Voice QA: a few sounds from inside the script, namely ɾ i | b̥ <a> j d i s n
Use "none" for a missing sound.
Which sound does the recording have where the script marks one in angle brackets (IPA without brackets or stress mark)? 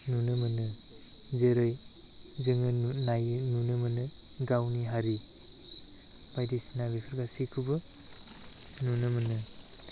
a